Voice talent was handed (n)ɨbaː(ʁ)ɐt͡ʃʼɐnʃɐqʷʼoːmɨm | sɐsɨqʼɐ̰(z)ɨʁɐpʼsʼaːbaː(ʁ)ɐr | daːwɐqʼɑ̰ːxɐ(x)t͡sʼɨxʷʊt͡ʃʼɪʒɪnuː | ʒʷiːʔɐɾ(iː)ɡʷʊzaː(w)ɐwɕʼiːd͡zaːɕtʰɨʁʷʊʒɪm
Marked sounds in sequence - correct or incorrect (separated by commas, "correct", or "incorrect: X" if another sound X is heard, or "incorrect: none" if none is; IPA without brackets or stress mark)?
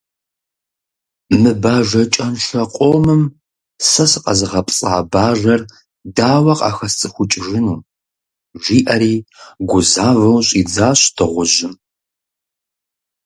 incorrect: m, incorrect: ʒ, correct, incorrect: ʒ, incorrect: s, correct, incorrect: v